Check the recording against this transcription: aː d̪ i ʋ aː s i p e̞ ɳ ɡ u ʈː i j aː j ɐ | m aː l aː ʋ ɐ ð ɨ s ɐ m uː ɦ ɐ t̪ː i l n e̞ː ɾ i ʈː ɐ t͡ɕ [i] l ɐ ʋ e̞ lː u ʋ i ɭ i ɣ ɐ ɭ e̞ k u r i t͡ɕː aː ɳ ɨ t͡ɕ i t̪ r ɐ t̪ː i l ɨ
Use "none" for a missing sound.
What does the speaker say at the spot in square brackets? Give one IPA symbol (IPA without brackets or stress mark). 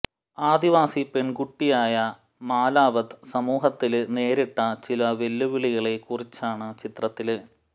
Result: i